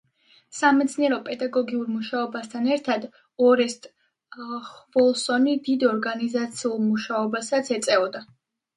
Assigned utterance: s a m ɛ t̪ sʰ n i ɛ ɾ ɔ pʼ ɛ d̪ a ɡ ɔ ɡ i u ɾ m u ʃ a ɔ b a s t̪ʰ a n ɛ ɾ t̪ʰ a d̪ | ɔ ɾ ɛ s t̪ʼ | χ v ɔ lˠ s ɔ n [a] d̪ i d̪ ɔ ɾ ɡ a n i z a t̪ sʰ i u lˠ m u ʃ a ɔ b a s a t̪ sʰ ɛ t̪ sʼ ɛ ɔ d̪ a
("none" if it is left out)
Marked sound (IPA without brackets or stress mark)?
i